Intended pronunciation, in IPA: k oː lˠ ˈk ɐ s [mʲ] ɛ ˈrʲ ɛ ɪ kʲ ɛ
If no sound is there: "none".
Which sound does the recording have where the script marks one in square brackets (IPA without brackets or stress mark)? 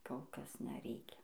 nʲ